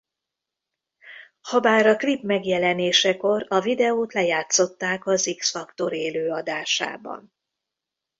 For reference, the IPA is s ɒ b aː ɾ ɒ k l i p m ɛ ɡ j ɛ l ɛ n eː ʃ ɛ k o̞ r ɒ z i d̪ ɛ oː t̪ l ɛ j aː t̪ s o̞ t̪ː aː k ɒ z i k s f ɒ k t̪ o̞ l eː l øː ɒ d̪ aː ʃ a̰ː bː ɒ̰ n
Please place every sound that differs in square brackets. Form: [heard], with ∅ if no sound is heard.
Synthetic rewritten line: [h] ɒ b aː ɾ ɒ k l i p m ɛ ɡ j ɛ l ɛ n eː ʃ ɛ k o̞ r ɒ [v] i d̪ ɛ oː t̪ l ɛ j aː t̪ s o̞ t̪ː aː k ɒ z i k s f ɒ k t̪ o̞ [ɾ] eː l øː ɒ d̪ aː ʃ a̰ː [b] ɒ̰ n

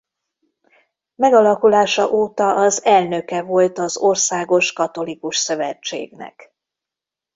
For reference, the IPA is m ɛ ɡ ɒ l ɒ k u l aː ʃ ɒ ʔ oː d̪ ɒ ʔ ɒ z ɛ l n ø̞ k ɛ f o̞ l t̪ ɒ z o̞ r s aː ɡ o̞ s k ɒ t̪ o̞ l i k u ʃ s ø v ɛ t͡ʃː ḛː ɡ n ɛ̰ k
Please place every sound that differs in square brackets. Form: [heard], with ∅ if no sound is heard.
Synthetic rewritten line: m ɛ ɡ ɒ l ɒ k u l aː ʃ ɒ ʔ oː [t̪] ɒ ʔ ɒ z ɛ l n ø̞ k ɛ [v] o̞ l t̪ ɒ z o̞ r s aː ɡ o̞ [ʃ] k ɒ t̪ o̞ l i k u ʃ s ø v ɛ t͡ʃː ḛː ɡ n ɛ̰ k

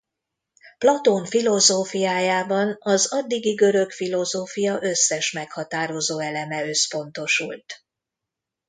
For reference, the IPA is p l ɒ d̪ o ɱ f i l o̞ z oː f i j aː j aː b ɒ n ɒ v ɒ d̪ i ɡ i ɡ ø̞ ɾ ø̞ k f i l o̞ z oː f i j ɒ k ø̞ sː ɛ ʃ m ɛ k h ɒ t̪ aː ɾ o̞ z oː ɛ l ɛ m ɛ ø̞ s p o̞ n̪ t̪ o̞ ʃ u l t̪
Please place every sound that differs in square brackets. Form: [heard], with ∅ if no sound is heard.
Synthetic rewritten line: p l ɒ [t̪] o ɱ f i l o̞ z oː f i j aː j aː b ɒ n ɒ [z] ɒ [d̪ː] i ɡ i ɡ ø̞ ɾ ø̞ k f i l o̞ z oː f i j ɒ [ʔ] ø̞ sː ɛ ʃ m ɛ k h ɒ t̪ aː ɾ o̞ z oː ɛ l ɛ m ɛ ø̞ s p o̞ n̪ t̪ o̞ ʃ u l t̪

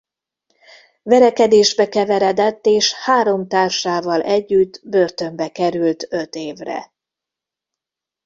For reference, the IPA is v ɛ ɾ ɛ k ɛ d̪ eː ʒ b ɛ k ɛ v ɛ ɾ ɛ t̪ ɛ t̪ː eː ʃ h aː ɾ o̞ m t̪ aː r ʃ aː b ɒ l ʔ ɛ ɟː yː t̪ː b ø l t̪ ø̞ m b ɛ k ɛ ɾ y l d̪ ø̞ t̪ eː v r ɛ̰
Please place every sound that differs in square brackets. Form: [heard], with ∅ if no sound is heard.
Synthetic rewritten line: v ɛ ɾ ɛ k ɛ d̪ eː ʒ b ɛ k ɛ v ɛ ɾ ɛ [d̪] ɛ t̪ː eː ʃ h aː ɾ o̞ m t̪ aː r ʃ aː [v] ɒ l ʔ ɛ ɟː [y] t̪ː b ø [r] t̪ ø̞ m b ɛ k ɛ ɾ y l [t̪] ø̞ t̪ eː v r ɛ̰

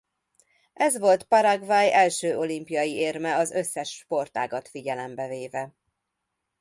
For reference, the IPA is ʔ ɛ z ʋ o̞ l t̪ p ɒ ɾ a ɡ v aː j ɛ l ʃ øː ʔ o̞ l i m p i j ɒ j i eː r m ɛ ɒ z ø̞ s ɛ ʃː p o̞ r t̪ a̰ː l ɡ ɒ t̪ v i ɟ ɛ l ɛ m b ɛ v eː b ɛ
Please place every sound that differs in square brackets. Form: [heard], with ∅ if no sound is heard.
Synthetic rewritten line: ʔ ɛ z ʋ o̞ l t̪ p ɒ ɾ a ɡ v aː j ɛ l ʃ øː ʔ o̞ l i m p i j ɒ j i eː r m ɛ ɒ z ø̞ [sː] ɛ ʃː p o̞ r t̪ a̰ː [∅] ɡ ɒ t̪ [f] i ɟ ɛ l ɛ m b ɛ v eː [v] ɛ

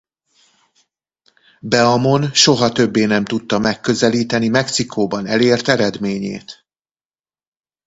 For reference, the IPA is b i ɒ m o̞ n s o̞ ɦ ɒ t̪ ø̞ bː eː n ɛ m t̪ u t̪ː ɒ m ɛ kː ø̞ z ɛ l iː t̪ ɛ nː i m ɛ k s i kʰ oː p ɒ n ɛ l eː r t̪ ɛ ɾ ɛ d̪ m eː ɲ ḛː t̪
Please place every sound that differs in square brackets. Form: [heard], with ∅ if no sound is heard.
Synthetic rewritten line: b [ɛ] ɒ m o̞ n [ʃ] o̞ ɦ ɒ t̪ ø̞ bː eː n ɛ m t̪ u t̪ː ɒ m ɛ kː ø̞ z ɛ l iː t̪ ɛ [n] i m ɛ k s i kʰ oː [b] ɒ n ɛ l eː r t̪ ɛ ɾ ɛ d̪ m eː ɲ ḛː t̪

